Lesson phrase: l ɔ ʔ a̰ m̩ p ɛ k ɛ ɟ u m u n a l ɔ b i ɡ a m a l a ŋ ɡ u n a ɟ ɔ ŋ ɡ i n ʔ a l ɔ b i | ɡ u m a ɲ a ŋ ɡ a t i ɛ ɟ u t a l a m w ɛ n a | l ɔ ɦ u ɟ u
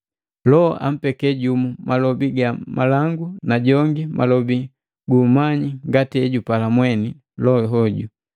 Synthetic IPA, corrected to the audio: l ɔ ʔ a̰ m̩ p ɛ k ɛ ɟ u m u m a l ɔ b i ɡ a m a l a ŋ ɡ u n a ɟ ɔ ŋ ɡ i m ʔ a l ɔ b i | ɡ u m a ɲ i ŋ ɡ a t i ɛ ɟ u p a l a m w ɛ n i | l ɔ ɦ ɔ ɟ u